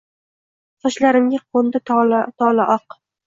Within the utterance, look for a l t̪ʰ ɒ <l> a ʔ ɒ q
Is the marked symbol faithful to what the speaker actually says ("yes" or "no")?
yes